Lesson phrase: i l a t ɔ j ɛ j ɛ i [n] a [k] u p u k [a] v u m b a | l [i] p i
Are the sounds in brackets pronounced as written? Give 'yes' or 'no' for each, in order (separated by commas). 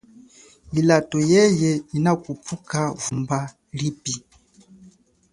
yes, yes, yes, yes